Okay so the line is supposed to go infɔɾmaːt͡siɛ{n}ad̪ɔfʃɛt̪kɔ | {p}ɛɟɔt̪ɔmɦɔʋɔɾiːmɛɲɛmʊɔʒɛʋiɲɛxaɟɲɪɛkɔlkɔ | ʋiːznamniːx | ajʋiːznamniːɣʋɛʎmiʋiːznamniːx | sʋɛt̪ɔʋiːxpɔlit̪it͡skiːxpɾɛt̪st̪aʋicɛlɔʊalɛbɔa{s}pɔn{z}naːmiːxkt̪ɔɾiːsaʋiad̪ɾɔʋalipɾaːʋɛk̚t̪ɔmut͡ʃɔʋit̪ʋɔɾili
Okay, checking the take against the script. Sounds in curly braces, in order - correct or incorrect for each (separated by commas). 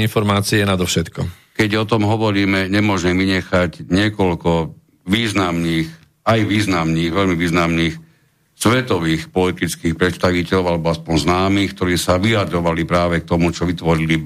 correct, incorrect, correct, correct